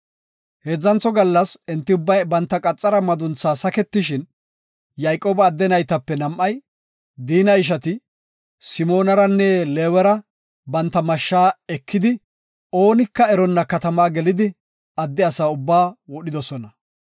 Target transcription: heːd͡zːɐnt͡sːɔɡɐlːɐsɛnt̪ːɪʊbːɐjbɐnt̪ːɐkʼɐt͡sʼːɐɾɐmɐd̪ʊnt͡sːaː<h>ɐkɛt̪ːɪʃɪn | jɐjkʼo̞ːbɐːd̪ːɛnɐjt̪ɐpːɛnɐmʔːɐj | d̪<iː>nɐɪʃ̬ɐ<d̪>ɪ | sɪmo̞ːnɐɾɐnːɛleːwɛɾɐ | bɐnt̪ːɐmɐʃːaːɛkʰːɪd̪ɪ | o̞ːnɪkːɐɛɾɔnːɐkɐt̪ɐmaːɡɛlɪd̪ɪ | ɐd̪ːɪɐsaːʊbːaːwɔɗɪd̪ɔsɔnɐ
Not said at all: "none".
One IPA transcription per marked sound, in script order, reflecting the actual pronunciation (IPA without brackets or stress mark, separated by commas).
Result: s, iː, t̪